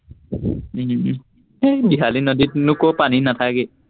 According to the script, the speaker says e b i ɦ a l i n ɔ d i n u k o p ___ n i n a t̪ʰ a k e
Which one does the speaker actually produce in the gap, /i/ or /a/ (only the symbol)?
a